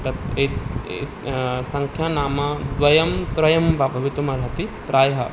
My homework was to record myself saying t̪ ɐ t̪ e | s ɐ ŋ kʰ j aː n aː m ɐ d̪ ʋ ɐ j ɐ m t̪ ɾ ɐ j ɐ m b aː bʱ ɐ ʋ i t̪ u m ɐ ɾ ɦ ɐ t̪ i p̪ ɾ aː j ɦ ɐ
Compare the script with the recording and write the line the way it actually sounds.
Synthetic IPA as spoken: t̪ ɐ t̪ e | s ɐ ŋ kʰ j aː n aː m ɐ d̪ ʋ ɐ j ɐ m t̪ ɾ ɐ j ɐ m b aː bʱ ɐ ʋ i t̪ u m ɐ ɾ ɦ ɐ t̪ i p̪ ɾ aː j ɦ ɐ